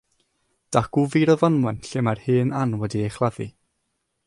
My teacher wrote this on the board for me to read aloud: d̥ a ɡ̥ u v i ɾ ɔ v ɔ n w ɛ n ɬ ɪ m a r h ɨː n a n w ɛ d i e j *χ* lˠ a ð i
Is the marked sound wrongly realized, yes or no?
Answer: no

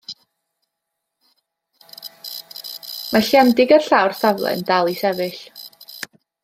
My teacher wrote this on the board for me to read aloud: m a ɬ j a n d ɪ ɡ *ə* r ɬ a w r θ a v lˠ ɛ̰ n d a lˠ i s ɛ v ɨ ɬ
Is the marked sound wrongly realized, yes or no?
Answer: no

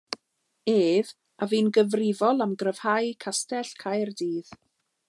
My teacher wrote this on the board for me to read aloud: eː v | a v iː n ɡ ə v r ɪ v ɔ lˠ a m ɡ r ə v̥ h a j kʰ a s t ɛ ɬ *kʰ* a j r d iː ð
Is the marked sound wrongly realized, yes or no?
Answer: no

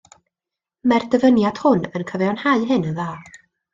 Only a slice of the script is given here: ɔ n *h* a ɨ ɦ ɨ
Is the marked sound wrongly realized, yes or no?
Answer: no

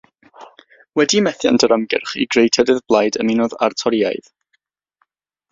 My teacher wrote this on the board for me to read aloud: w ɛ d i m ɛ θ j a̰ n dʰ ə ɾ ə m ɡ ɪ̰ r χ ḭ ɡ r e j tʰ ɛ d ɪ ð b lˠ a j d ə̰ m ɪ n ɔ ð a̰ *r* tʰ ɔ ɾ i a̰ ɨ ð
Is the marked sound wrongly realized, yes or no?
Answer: no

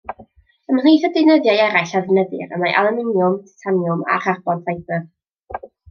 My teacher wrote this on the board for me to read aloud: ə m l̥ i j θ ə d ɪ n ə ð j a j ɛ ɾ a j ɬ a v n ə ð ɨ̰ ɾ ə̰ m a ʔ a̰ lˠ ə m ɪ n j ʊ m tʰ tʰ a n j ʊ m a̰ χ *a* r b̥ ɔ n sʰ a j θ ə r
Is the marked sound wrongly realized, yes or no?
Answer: no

